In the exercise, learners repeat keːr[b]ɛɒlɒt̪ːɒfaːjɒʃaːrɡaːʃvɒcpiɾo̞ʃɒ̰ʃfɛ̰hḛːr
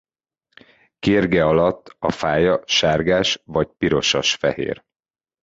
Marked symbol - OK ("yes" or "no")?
no